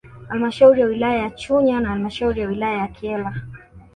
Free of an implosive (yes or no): yes